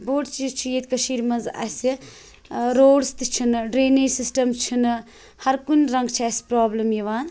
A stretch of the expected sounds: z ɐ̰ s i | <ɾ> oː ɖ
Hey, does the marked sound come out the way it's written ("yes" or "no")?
yes